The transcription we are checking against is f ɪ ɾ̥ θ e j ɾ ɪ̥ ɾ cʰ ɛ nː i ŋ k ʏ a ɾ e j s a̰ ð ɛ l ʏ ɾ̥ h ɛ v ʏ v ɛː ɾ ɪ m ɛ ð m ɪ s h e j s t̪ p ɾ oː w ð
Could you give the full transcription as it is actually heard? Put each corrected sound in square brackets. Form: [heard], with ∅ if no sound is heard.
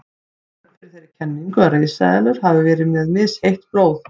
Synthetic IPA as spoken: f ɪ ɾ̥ θ e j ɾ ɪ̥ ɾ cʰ ɛ nː i ŋ k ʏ a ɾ e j s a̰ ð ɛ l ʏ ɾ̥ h [a] v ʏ v ɛː ɾ ɪ m ɛ ð m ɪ s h e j [h] t̪ p ɾ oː w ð

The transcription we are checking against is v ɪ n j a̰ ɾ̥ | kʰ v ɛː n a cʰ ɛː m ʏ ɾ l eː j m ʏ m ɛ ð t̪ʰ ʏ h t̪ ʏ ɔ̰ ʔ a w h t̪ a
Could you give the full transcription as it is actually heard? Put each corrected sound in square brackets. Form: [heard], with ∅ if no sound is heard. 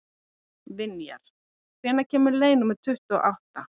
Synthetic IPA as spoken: v ɪ n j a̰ ɾ̥ | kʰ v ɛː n a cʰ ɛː m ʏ ɾ l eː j [n] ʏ m ɛ ð t̪ʰ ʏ h t̪ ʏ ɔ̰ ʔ a w h t̪ a

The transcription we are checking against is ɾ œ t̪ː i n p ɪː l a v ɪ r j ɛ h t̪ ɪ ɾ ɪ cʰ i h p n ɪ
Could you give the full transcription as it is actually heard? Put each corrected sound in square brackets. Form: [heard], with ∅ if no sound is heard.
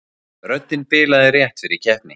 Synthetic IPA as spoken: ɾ œ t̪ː [ɪ] n p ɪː l a [ð] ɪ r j ɛ h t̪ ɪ ɾ [i] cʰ [ɛ] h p n ɪ

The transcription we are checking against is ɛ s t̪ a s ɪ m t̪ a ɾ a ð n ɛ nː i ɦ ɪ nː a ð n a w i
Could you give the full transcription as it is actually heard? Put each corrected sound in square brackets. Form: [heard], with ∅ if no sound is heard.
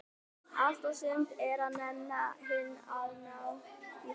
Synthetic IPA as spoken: [a] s t̪ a s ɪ m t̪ [ɛ] ɾ a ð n ɛ nː [a] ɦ ɪ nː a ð n a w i

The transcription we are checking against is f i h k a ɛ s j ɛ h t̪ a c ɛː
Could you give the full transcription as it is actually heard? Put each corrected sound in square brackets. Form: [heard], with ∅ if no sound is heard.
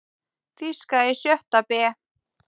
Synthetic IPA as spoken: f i [s] k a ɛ s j [œ] h t̪ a [p] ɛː

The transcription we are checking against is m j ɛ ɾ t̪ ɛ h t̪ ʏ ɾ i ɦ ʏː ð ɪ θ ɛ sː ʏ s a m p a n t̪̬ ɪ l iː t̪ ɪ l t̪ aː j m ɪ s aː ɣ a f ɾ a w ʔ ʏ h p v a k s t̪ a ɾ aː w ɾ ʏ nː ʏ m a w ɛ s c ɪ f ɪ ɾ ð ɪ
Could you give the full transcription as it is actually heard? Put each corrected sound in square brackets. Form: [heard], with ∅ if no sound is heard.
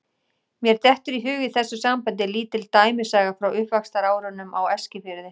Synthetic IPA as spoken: m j ɛ ɾ t̪ ɛ h t̪ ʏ ɾ i ɦ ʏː [ɣ] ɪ θ ɛ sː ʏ s a m p a n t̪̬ ɪ l iː t̪ ɪ l t̪ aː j m ɪ s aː ɣ a f ɾ a w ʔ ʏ h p v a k s t̪ a ɾ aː w ɾ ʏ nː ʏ m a w ɛ s c ɪ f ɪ ɾ ð ɪ

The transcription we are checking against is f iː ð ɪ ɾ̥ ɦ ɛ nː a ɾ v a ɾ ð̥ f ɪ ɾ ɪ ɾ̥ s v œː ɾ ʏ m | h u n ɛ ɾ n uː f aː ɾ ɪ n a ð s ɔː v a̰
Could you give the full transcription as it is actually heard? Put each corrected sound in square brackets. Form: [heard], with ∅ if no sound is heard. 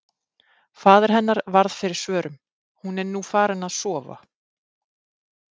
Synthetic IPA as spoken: f [aː] ð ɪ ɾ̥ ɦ ɛ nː a ɾ v a ɾ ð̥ f ɪ ɾ ɪ ɾ̥ s v œː ɾ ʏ m | h u n ɛ ɾ n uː f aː ɾ ɪ n a ð s ɔː v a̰

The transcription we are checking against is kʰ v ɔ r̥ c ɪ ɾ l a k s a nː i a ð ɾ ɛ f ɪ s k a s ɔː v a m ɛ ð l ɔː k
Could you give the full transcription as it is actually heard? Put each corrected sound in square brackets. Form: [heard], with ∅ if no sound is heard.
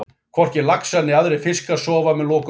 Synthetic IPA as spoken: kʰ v ɔ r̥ c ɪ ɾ l a k s a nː [ɪ] a ð ɾ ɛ f ɪ s k a s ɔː v a m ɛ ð l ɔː k

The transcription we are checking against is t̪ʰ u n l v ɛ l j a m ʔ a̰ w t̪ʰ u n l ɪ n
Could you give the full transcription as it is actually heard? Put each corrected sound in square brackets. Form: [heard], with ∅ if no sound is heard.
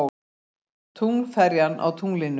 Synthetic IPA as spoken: t̪ʰ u [ŋ] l [f] ɛ [ɾ] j a [n] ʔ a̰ w t̪ʰ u [ŋ] l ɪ n

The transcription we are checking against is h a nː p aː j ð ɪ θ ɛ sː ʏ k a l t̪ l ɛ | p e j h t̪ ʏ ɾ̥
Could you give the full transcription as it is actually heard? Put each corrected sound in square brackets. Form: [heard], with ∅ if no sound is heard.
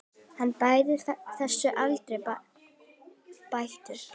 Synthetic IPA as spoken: h a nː p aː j ð ɪ θ ɛ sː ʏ [ʔ] a l t̪ [ɾ] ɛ | p [a] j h t̪ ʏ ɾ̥

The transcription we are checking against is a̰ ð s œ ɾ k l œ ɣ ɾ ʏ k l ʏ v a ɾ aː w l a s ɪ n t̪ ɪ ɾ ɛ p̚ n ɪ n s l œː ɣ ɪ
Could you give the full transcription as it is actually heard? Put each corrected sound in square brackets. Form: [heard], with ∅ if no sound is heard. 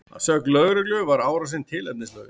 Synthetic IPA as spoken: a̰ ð s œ [∅] k l œ ɣ ɾ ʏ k l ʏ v a ɾ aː w [ɾ] a s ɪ n [t̪ʰ] ɪ [l] ɛ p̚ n ɪ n s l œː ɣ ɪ

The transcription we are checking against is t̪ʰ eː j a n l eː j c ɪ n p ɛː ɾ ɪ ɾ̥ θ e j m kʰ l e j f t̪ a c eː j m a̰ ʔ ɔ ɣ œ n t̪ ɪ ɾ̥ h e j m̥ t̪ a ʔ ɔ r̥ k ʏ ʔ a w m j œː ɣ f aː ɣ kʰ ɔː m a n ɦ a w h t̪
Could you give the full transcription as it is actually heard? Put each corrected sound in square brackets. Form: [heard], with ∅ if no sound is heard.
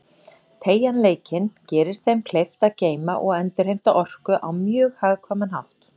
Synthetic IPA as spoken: t̪ʰ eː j a n l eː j c ɪ n [c] ɛː ɾ ɪ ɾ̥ θ e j m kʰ l e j f t̪ a c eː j m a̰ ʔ ɔ ɣ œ n t̪ ɪ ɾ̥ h e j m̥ t̪ a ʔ ɔ r̥ k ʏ ʔ a w m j œː ɣ [h] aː ɣ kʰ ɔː m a n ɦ a w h t̪

